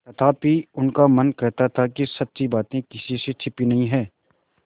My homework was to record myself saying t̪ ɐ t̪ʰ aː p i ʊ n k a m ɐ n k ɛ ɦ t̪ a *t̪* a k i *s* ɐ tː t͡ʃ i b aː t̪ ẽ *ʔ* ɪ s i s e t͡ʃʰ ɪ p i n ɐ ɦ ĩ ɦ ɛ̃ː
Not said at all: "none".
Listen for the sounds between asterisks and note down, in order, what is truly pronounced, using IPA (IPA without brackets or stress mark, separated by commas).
t̪ʰ, s, k